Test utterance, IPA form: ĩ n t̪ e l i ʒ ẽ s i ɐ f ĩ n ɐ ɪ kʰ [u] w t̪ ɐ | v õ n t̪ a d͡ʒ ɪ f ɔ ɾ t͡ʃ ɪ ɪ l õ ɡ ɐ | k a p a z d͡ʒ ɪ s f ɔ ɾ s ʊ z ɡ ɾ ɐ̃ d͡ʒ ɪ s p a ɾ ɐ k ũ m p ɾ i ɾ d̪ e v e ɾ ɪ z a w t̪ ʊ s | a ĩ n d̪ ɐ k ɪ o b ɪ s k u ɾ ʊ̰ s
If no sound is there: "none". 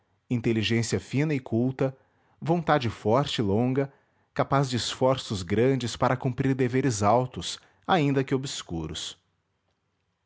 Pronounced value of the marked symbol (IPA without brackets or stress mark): u